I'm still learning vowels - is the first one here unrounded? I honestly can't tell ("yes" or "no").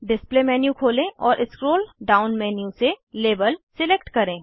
yes